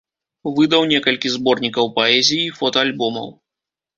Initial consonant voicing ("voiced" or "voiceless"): voiced